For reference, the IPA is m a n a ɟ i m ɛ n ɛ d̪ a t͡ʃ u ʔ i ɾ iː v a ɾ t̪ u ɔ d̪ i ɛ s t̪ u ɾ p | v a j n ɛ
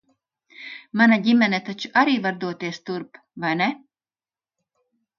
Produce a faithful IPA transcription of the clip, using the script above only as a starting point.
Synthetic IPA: m a n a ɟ i m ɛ n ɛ t̪ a t͡ʃ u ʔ a ɾ iː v a ɾ d̪ u ɔ t̪ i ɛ s t̪ u ɾ p | v a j n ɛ